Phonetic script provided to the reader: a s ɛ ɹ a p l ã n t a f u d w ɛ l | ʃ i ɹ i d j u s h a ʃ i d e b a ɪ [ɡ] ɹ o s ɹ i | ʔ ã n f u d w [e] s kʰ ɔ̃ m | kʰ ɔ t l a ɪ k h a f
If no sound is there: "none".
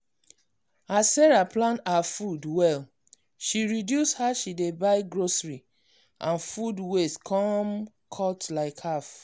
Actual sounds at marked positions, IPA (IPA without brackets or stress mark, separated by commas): ɡ, e